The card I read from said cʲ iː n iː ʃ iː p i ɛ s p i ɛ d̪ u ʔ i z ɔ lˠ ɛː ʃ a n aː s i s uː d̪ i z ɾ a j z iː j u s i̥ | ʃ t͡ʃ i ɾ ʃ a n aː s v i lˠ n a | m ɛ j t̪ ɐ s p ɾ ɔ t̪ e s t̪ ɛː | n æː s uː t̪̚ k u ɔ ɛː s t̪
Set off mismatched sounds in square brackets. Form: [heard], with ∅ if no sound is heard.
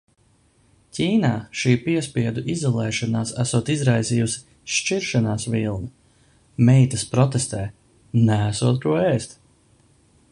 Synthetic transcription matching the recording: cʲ iː n [aː] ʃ iː p i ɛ s p i ɛ d̪ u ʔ i z ɔ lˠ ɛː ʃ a n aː s [æ] s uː [t̪] i z ɾ a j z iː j u s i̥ | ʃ t͡ʃ i ɾ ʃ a n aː s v i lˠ n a | m ɛ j t̪ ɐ s p ɾ ɔ t̪ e s t̪ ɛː | n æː s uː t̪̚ k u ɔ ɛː s t̪